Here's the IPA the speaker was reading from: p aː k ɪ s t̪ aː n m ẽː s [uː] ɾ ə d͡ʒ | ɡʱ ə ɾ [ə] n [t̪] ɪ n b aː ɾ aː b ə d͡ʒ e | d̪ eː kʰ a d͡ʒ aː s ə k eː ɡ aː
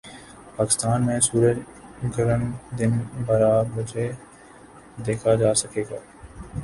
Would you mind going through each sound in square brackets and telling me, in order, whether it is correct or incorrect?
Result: correct, correct, incorrect: d̪

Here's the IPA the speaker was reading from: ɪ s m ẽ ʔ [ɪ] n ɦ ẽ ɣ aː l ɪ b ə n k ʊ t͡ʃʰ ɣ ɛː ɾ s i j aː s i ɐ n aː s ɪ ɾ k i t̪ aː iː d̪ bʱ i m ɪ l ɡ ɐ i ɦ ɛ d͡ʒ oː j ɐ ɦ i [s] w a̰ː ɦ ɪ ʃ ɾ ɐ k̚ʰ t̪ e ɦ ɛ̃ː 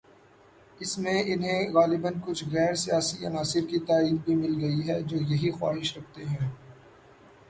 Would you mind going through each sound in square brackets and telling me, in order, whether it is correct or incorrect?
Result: correct, incorrect: x

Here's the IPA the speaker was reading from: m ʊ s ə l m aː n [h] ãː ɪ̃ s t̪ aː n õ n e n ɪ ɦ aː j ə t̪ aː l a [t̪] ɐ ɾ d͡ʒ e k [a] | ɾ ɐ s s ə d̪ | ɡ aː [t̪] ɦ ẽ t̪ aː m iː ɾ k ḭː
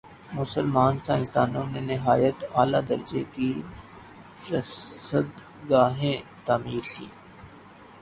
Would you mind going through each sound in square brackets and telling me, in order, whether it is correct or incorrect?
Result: incorrect: s, incorrect: d̪, incorrect: i, incorrect: none

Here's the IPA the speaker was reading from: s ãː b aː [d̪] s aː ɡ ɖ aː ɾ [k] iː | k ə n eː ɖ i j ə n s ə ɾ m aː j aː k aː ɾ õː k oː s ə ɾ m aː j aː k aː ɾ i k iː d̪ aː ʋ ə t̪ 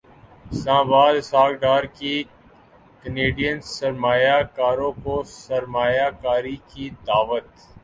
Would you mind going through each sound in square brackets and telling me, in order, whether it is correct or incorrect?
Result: correct, correct

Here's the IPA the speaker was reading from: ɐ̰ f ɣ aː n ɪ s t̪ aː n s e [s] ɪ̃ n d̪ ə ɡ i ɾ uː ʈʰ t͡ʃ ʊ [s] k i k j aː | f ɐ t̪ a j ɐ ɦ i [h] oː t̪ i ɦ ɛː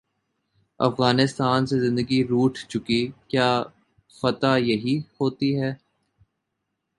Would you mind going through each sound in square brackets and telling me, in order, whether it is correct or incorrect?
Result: incorrect: z, incorrect: none, correct

